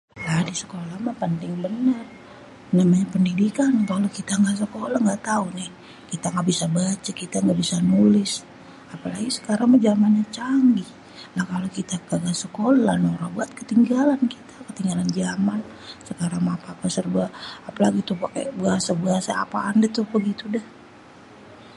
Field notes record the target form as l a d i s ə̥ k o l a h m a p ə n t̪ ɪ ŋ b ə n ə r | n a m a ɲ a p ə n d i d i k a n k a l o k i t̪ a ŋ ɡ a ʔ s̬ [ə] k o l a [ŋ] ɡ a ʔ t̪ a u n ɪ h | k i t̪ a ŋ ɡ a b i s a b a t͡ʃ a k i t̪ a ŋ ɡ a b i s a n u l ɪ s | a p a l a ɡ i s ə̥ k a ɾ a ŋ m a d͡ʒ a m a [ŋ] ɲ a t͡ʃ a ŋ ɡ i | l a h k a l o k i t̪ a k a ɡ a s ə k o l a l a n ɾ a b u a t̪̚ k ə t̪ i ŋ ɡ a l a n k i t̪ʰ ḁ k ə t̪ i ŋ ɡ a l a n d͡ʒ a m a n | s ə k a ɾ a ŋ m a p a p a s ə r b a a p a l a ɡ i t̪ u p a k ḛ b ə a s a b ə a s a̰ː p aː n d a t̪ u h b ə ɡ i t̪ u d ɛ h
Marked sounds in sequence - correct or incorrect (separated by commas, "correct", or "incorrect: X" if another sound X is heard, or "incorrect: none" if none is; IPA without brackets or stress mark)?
correct, correct, incorrect: n